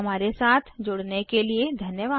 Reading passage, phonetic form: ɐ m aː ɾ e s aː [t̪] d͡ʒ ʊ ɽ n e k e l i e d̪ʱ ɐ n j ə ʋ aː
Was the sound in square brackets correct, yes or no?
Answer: no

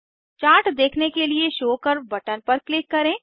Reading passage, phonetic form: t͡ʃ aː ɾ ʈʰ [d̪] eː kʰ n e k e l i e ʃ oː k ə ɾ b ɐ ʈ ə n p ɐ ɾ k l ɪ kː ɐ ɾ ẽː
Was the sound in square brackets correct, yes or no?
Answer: yes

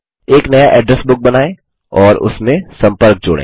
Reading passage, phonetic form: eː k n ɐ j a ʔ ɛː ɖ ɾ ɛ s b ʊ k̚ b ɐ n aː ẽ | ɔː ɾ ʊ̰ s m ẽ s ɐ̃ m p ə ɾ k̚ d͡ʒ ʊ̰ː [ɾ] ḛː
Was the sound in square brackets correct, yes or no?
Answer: no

